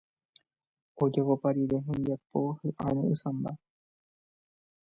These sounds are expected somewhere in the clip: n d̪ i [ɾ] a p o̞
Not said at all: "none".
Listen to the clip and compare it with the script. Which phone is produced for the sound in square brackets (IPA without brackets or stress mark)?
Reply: none